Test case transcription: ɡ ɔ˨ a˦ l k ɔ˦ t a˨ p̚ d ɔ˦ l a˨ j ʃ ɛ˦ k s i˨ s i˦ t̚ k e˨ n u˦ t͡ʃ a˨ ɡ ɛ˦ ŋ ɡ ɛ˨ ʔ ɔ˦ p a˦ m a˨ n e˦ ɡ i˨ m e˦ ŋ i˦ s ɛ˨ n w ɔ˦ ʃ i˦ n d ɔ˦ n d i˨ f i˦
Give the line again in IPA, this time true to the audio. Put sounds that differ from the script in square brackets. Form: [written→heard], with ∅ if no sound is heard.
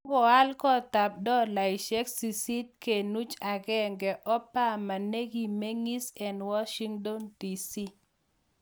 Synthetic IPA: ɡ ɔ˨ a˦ l k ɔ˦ t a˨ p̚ d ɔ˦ l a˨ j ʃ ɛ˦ k s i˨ s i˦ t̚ k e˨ n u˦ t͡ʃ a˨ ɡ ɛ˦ ŋ ɡ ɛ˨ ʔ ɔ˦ p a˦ m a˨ n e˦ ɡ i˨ m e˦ ŋ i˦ s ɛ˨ n w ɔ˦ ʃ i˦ [n→ŋ] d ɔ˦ n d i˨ [f→s] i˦